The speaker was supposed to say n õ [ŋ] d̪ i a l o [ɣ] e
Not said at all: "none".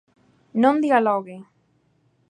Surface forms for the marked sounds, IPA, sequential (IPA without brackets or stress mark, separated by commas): n, ɣ